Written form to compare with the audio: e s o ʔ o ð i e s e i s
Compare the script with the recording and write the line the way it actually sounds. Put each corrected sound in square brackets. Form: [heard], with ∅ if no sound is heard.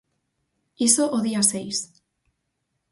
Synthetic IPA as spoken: [i] s o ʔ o ð i [a] s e [j] s